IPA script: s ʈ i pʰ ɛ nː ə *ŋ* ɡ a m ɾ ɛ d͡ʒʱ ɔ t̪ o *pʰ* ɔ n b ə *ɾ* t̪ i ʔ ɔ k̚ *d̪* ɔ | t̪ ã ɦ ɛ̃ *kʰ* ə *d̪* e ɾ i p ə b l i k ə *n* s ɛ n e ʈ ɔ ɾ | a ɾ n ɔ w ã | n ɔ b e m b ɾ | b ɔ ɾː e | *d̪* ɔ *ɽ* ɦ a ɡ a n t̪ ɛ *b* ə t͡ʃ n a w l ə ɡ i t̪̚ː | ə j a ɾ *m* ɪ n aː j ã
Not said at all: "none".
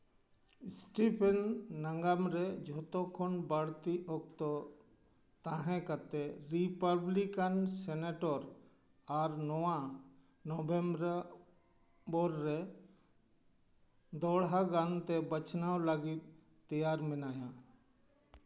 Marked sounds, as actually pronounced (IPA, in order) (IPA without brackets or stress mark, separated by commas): ŋ, kʰ, ɽ, t̪, k, t̪, n, d̪, ɽ, b, m